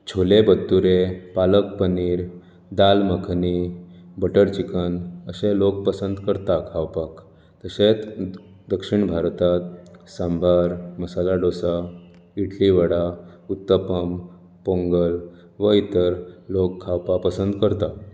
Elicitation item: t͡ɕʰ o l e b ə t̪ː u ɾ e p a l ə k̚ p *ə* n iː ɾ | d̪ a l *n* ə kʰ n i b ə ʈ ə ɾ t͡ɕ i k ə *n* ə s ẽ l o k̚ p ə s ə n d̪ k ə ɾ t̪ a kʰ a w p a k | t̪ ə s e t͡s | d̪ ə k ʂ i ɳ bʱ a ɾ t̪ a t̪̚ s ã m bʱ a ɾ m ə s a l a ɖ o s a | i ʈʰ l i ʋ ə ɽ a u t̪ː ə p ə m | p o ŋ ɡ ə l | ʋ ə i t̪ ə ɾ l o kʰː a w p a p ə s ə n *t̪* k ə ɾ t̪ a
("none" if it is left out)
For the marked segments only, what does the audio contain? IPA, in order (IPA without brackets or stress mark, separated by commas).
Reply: ə, m, n, d̪